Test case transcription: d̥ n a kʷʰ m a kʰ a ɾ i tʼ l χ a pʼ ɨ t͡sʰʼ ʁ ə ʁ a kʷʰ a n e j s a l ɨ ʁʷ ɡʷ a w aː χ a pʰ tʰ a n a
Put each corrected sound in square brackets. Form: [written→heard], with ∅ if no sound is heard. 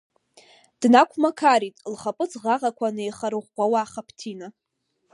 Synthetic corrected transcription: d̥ n a kʷʰ m a kʰ a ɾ i tʼ l χ a pʼ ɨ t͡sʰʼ ʁ [ə→a] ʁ a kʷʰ a n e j [s→χ] a [l→ɾ] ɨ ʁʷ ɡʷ a w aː χ a pʰ tʰ [a→i] n a